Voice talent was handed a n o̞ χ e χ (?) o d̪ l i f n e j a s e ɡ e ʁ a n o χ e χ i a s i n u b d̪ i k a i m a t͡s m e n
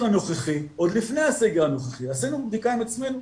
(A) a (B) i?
B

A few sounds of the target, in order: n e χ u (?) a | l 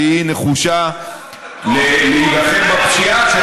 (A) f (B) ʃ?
B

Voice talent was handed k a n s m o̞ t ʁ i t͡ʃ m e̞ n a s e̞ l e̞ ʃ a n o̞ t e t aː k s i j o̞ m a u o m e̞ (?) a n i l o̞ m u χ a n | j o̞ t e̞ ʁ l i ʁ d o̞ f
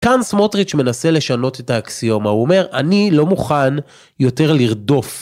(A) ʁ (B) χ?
A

